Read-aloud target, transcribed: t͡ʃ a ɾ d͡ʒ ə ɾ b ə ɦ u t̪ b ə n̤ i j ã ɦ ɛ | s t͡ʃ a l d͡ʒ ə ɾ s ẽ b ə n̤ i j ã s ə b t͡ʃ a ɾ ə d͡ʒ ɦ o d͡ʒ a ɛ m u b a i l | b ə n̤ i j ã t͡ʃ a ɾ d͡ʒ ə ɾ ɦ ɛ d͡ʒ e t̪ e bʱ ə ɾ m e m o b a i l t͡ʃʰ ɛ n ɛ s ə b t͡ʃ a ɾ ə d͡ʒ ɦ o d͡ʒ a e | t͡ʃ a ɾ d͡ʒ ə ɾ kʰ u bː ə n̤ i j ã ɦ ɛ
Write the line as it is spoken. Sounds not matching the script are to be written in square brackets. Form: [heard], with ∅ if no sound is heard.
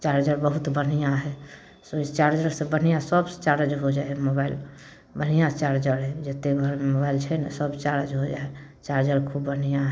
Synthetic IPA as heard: t͡ʃ a ɾ d͡ʒ ə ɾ b ə ɦ u t̪ b ə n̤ i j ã ɦ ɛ | s t͡ʃ a [ɾ] d͡ʒ ə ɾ s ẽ b ə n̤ i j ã s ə b t͡ʃ a ɾ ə d͡ʒ ɦ o d͡ʒ a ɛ m [o] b a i l | b ə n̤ i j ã t͡ʃ a ɾ d͡ʒ ə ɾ ɦ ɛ d͡ʒ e t̪ e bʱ ə ɾ m e m o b a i l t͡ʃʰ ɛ n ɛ s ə b t͡ʃ a ɾ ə d͡ʒ ɦ o d͡ʒ a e | t͡ʃ a ɾ d͡ʒ ə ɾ kʰ u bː ə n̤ i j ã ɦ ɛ